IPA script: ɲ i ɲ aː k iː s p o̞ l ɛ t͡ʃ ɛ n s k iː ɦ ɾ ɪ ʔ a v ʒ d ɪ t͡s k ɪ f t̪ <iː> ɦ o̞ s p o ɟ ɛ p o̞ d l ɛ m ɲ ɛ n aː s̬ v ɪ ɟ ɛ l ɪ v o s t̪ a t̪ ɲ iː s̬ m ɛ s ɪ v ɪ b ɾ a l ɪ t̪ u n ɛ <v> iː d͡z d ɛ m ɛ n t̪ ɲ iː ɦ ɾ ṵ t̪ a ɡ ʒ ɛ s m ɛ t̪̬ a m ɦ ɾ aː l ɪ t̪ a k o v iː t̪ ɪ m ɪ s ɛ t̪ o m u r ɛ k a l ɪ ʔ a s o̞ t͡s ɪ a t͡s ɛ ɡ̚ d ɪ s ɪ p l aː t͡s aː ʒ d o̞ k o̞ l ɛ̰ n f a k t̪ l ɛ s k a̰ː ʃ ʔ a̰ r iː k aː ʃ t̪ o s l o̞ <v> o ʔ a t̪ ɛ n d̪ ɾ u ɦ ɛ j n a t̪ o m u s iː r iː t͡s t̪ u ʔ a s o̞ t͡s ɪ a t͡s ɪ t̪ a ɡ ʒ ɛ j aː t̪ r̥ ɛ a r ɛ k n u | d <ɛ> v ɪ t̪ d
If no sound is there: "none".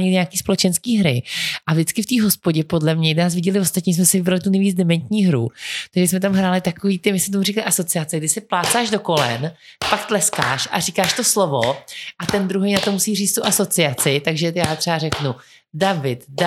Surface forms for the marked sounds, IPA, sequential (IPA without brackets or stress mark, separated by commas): iː, v, v, a